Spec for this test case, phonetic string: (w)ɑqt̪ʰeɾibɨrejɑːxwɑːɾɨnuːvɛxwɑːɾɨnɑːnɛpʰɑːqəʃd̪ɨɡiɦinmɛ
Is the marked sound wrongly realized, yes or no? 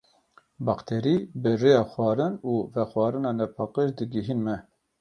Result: yes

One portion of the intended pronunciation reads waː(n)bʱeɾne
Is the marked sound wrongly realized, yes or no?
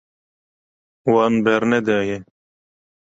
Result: no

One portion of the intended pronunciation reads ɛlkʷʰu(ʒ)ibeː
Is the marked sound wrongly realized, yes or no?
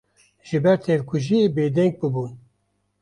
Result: no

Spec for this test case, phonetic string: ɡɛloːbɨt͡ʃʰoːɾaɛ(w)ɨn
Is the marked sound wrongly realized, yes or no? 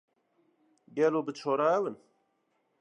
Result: no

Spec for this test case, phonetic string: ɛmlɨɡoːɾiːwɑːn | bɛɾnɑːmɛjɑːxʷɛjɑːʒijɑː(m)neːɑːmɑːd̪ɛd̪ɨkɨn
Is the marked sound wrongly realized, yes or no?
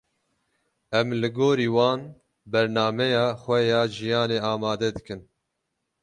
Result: yes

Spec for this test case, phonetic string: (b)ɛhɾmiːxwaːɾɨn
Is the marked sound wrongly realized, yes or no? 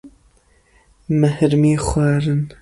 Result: yes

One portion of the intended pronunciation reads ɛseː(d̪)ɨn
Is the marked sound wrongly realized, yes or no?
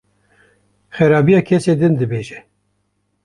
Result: no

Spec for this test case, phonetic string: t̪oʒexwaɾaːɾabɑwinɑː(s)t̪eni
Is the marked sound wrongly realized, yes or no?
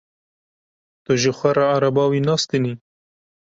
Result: no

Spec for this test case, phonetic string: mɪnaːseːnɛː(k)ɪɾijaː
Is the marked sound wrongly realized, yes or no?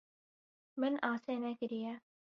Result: no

